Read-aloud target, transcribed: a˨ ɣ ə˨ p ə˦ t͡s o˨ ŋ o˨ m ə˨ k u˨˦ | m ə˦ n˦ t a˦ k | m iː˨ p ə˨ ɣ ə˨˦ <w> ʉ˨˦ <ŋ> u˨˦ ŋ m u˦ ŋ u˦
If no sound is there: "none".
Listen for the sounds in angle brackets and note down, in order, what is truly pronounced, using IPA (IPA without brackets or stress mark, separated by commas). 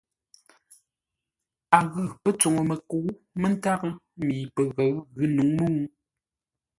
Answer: ɣ, n